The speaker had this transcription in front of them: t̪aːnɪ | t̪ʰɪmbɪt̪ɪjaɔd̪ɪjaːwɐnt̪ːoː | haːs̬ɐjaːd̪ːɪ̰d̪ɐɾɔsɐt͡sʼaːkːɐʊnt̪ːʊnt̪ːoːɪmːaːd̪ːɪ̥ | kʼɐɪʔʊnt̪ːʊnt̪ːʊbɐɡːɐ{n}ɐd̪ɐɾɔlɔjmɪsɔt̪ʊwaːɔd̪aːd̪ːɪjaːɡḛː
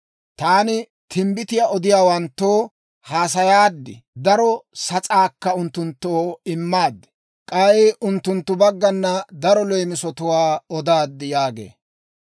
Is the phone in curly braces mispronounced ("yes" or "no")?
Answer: yes